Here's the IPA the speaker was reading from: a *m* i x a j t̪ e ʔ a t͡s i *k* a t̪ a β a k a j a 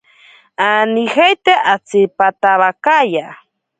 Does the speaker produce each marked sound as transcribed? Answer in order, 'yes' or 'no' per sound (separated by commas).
no, no